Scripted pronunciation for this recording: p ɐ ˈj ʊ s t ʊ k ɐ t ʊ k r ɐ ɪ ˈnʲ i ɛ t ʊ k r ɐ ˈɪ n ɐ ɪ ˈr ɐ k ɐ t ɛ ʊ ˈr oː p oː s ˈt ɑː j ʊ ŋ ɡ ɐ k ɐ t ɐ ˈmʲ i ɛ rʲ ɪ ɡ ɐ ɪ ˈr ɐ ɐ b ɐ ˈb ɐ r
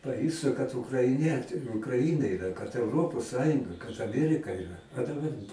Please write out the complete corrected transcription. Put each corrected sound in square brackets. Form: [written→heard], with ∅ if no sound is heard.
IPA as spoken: p ɐ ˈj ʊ s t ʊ k ɐ t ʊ k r ɐ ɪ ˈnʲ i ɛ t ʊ k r ɐ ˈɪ n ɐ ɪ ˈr ɐ k ɐ t ɛ ʊ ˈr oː p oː s [ˈt→ˈs] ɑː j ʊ ŋ ɡ ɐ k ɐ t ɐ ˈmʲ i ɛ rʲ ɪ [ɡ→k] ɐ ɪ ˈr ɐ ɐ [b→d] ɐ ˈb ɐ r